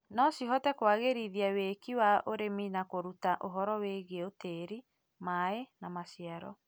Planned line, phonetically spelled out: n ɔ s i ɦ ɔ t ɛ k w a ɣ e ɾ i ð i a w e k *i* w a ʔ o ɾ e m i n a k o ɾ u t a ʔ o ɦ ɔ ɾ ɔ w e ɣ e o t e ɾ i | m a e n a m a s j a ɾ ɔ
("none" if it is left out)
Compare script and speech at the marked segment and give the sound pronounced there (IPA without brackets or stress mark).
i